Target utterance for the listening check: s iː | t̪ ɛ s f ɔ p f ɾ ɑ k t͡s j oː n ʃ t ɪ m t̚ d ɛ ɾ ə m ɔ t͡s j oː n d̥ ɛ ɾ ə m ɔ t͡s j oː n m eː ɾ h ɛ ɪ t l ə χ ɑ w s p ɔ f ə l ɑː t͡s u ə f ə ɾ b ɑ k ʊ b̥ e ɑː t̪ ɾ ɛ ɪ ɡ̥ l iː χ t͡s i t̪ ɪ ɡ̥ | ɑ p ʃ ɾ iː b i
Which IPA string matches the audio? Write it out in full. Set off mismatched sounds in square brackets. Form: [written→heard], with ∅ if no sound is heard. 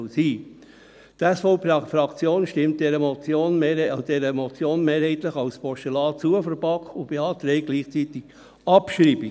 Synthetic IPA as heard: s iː | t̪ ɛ s f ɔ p f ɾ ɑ k t͡s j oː n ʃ t ɪ m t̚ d ɛ ɾ ə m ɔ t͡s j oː n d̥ ɛ ɾ ə m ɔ t͡s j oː n m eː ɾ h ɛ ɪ t l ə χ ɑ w s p ɔ [f→ʃ] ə l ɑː t͡s u ə f ə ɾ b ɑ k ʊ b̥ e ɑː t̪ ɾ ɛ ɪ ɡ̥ l iː χ t͡s i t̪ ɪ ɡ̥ | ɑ p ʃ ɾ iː b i